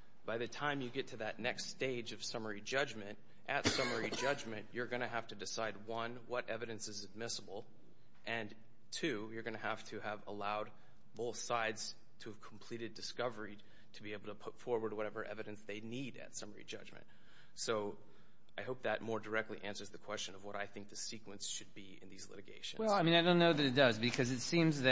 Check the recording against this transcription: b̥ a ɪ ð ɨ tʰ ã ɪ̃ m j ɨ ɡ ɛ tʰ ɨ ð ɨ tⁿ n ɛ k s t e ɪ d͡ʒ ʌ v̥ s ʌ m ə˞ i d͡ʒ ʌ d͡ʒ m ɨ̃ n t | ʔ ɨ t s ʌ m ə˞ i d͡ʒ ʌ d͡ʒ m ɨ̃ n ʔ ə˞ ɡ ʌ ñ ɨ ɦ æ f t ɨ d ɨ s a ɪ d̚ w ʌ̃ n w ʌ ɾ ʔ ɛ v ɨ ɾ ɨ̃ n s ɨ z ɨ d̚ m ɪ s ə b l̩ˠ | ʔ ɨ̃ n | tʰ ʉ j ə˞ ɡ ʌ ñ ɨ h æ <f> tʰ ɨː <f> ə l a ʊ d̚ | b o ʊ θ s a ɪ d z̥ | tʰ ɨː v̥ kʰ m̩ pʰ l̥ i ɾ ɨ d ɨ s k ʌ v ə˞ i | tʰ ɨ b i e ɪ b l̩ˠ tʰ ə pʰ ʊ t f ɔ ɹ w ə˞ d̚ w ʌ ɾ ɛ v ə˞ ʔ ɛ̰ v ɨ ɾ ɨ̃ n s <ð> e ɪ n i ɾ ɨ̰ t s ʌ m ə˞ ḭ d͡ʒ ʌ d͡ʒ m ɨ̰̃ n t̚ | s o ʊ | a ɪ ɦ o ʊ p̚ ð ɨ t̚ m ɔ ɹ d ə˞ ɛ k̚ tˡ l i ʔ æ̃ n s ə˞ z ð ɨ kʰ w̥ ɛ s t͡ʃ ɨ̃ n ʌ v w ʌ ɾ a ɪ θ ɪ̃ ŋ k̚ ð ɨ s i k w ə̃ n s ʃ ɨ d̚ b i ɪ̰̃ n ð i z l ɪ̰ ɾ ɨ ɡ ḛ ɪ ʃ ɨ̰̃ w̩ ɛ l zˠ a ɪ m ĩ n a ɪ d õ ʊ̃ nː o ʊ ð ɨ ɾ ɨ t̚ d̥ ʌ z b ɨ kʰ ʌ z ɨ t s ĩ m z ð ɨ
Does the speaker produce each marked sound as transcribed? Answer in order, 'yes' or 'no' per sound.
yes, no, yes

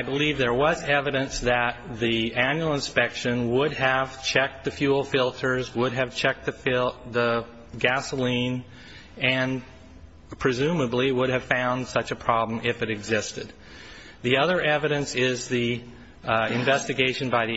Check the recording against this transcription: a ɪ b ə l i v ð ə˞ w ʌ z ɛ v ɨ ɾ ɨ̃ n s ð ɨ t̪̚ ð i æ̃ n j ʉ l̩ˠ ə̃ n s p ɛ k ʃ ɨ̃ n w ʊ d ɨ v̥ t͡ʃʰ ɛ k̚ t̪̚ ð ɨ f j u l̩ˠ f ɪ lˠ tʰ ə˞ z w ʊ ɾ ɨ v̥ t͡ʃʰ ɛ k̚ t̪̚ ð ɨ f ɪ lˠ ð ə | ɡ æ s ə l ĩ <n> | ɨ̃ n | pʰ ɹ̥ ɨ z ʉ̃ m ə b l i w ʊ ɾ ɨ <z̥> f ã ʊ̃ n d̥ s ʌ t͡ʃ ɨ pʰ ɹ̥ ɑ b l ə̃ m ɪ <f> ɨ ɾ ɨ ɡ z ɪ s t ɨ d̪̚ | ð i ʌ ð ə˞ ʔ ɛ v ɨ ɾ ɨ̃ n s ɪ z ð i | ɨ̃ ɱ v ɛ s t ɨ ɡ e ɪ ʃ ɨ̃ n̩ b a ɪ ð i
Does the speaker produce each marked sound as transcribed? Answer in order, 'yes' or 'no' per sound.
yes, no, yes

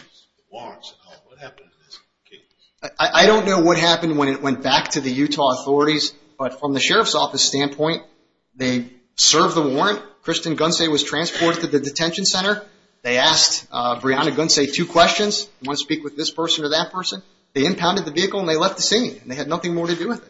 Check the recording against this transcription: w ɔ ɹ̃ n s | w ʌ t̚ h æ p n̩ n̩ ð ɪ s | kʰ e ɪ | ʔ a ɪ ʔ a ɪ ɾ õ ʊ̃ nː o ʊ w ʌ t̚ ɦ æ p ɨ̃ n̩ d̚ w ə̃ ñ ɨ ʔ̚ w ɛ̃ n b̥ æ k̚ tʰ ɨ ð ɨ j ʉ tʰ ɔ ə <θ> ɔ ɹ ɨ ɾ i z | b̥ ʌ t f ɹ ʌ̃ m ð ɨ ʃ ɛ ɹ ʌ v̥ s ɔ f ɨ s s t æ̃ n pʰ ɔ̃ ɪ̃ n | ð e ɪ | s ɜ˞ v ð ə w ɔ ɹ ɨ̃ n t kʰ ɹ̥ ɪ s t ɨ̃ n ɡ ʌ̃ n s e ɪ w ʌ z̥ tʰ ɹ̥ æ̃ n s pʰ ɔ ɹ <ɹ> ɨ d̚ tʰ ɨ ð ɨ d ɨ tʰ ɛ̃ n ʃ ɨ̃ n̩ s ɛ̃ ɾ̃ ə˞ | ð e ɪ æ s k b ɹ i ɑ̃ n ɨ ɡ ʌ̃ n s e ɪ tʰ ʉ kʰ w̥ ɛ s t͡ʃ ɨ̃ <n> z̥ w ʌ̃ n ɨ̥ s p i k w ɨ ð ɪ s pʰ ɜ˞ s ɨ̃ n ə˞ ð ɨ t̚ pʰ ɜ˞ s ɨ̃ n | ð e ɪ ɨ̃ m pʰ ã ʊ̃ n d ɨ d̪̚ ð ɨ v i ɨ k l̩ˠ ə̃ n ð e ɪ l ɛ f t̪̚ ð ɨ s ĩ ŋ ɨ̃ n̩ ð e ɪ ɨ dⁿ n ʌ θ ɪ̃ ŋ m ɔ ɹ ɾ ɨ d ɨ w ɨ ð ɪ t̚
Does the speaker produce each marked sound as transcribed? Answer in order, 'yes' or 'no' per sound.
yes, no, yes

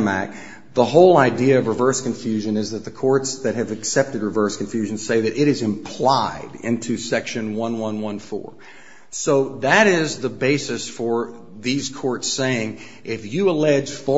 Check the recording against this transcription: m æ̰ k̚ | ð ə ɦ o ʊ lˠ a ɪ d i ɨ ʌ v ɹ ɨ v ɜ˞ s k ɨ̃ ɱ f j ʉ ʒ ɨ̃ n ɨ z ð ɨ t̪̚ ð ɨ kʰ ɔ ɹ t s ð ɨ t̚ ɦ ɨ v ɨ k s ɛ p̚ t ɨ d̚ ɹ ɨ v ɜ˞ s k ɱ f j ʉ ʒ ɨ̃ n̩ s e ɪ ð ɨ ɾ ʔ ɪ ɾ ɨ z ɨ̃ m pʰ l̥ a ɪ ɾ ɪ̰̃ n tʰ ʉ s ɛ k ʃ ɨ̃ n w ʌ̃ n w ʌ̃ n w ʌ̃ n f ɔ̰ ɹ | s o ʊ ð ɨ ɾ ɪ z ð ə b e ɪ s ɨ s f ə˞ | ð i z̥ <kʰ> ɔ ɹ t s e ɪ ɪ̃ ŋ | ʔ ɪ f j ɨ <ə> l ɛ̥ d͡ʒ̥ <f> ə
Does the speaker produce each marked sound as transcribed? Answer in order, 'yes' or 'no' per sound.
yes, yes, yes

